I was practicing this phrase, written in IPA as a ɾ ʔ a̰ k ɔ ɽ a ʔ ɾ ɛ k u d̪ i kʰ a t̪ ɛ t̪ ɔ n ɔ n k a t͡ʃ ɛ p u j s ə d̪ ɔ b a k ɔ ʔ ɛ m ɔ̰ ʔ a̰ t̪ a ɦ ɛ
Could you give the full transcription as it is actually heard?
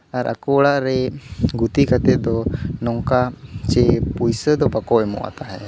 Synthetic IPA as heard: a ɾ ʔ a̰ k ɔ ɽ a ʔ ɾ ɛ ɡ u t̪ i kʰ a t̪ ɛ d̪ ɔ n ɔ ŋ k a t͡ʃ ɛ p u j s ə d̪ ɔ b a k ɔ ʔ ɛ m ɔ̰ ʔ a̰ t̪ a ɦ ɛ